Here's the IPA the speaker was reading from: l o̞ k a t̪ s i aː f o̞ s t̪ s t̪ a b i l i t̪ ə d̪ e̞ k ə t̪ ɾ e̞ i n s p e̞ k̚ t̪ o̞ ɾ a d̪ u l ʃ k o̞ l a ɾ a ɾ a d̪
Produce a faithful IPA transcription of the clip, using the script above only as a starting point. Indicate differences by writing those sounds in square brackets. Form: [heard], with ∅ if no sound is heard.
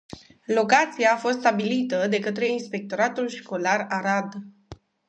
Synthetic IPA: l o̞ k a t̪ s i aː f o̞ s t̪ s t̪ a b i l i t̪ ə d̪ e̞ k ə t̪ ɾ e̞ i n s p e̞ k̚ t̪ o̞ ɾ a [t̪] u l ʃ k o̞ l a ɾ a ɾ a d̪